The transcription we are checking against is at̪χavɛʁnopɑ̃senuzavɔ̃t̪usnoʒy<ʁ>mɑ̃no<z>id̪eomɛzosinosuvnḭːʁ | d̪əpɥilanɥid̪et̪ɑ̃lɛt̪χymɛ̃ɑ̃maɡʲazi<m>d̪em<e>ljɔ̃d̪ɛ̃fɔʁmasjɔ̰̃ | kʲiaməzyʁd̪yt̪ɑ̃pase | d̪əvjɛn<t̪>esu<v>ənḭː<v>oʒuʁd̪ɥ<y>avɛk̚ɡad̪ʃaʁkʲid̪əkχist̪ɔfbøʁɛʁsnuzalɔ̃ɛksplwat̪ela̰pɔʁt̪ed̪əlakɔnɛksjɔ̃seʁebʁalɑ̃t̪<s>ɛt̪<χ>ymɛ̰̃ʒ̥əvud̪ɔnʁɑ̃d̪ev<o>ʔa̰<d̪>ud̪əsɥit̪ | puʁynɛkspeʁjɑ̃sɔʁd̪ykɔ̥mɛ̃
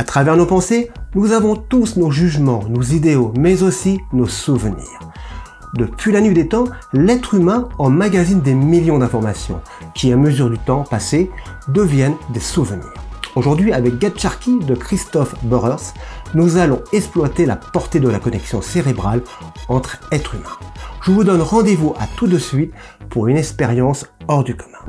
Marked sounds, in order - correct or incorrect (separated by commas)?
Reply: incorrect, correct, incorrect, incorrect, incorrect, correct, incorrect, incorrect, incorrect, correct, incorrect, incorrect